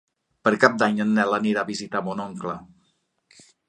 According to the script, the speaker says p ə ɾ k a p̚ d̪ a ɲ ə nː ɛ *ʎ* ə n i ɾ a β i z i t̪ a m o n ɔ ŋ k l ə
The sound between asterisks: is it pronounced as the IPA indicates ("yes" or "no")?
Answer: no